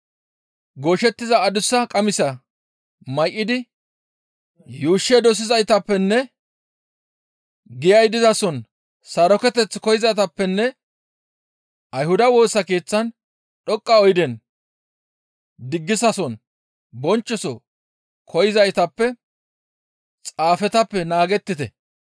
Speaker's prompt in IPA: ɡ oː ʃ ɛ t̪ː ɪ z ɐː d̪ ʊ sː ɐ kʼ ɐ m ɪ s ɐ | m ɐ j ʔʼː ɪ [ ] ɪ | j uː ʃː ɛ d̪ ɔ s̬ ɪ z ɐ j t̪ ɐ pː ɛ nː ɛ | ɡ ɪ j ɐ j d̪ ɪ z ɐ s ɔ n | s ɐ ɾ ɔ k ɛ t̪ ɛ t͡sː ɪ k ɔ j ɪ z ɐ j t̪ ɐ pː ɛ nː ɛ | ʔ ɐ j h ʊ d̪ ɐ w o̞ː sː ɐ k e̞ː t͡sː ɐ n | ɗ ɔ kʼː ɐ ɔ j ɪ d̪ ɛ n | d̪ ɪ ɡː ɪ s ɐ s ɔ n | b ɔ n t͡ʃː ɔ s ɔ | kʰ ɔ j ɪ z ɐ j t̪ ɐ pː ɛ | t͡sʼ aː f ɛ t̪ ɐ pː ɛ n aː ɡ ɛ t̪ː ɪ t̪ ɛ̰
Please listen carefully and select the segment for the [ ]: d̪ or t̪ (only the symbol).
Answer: d̪